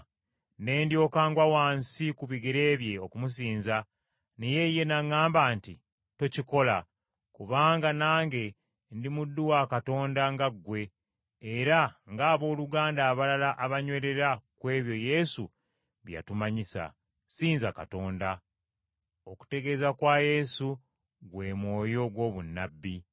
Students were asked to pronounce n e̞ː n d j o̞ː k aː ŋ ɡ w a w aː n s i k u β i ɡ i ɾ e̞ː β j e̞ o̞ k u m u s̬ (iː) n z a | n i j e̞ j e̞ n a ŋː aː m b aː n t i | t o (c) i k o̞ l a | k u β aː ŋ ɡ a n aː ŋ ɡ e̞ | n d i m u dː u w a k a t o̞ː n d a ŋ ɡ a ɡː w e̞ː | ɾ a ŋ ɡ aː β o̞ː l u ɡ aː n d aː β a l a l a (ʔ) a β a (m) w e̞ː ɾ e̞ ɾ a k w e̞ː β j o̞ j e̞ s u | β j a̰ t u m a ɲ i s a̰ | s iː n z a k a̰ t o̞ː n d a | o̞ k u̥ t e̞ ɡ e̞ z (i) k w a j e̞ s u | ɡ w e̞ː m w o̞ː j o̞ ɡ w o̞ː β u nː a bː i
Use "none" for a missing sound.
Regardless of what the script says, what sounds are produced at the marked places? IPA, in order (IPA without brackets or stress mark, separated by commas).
iː, c, ʔ, ɲ, a